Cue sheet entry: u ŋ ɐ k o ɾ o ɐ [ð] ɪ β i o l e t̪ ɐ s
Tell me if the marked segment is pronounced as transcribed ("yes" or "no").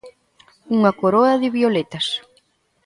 yes